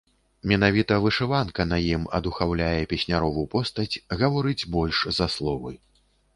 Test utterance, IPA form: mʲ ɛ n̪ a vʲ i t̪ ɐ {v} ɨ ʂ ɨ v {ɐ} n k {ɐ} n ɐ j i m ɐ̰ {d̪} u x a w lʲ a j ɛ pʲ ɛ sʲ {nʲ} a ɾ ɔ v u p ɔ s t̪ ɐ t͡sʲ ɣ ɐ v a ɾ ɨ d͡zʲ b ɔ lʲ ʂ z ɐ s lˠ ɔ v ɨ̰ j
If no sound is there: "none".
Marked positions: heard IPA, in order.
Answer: v, a, ɐ, d̪, nʲ

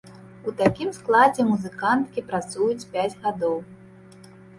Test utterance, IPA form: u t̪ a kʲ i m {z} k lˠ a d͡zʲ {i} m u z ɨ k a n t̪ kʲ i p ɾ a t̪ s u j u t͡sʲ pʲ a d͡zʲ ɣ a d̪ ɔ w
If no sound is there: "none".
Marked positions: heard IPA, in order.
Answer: s, ɛ

